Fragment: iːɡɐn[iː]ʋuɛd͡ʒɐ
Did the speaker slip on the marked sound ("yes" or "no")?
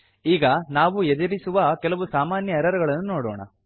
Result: yes